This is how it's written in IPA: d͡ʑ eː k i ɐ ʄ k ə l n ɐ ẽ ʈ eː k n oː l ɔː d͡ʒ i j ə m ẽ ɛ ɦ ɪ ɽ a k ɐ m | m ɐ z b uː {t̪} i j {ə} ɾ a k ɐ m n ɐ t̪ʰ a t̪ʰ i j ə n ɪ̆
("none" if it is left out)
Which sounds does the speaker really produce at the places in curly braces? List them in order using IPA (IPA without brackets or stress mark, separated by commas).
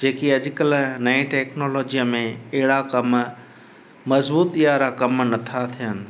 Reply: t̪, a